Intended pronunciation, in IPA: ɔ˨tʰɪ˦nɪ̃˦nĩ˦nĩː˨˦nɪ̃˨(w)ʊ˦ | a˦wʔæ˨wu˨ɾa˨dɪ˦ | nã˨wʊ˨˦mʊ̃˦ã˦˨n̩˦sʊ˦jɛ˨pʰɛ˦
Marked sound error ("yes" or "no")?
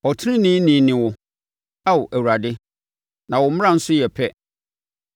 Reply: no